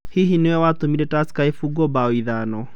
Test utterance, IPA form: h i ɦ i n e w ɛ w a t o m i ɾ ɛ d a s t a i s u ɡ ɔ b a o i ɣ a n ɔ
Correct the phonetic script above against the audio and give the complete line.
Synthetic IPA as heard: h i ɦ i n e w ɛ w a t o m i ɾ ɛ t a s k a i f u ɡ ɔ b a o i ð a n ɔ